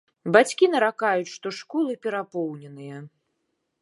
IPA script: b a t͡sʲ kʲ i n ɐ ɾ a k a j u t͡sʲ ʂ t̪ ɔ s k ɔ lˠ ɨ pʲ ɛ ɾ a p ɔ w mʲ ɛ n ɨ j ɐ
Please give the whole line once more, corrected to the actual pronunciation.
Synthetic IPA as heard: b a t͡sʲ kʲ i n ɐ ɾ a k a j u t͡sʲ ʂ t̪ ɔ ʂ k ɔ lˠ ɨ pʲ ɛ ɾ a p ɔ w nʲ ɛ n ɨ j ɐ